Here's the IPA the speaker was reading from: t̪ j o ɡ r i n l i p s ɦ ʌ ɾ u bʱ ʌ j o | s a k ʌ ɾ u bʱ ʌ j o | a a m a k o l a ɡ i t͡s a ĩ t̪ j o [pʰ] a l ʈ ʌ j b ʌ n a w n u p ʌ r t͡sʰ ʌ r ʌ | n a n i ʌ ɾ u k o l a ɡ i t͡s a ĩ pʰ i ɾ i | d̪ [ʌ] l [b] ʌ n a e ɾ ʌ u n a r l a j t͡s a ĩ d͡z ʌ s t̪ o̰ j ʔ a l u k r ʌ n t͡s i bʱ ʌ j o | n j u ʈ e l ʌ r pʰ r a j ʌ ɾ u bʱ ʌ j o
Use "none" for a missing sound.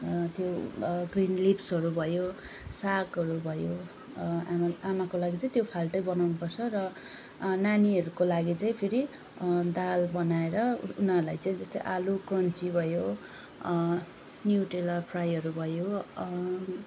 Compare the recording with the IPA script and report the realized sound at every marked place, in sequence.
pʰ, a, b

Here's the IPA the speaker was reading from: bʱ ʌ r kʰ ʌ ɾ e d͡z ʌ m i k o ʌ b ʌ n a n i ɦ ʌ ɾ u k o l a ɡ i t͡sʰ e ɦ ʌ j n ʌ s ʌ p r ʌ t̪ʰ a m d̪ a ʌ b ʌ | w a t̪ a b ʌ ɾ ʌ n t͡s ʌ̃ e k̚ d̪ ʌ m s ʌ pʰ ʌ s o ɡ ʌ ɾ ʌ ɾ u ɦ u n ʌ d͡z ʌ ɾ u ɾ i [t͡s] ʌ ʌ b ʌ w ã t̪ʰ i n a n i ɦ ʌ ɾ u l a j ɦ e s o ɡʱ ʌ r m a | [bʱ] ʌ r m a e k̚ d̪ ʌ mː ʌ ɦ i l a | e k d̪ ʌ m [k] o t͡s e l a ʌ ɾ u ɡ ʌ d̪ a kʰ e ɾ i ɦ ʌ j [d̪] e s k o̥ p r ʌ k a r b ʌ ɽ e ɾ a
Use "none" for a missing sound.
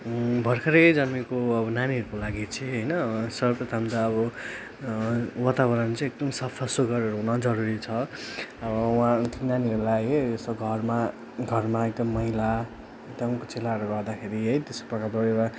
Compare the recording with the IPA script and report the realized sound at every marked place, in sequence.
t͡sʰ, ɡʱ, k, t̪

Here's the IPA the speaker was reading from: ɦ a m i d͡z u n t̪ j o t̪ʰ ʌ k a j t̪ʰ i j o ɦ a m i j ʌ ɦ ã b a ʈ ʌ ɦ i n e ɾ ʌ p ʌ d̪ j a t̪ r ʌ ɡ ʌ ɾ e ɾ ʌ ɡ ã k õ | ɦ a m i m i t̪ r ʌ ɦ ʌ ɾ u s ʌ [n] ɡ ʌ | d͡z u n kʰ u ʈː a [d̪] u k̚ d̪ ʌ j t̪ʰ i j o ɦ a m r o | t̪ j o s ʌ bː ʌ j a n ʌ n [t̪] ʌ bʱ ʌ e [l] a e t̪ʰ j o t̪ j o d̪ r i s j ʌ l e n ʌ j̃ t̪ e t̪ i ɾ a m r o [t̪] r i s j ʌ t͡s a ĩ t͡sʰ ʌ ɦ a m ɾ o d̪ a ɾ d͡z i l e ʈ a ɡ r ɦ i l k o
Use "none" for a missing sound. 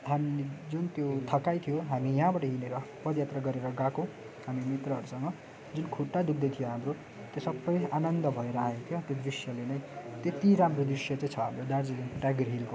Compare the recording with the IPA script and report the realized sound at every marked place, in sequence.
ŋ, d̪, d̪, ɾ, d̪

